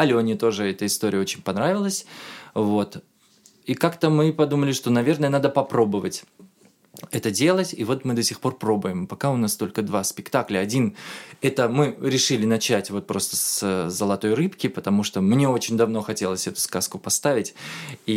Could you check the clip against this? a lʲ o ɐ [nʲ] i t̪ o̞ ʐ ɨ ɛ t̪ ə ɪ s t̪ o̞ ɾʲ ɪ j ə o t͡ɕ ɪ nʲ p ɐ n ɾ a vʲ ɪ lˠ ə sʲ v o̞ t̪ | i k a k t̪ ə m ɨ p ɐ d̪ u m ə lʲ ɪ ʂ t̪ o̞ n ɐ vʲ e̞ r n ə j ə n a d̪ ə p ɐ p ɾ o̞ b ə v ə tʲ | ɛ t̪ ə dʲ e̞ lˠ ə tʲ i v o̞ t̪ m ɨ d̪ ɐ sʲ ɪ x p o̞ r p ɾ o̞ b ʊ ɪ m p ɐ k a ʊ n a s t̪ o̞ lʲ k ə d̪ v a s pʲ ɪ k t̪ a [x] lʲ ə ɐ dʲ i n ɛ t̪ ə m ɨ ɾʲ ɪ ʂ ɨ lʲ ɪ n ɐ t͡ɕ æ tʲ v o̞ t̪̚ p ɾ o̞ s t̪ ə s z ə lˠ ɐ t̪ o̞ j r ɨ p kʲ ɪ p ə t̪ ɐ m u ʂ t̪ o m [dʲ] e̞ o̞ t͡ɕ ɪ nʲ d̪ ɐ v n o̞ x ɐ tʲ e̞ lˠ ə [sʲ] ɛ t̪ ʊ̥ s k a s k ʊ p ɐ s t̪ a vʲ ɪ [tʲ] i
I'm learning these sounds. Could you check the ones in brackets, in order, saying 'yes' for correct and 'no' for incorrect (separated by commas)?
yes, no, no, yes, yes